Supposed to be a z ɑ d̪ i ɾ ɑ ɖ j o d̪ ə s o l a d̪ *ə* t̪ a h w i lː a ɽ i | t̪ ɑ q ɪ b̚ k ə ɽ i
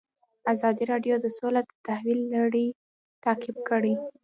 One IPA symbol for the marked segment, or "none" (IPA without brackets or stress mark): ə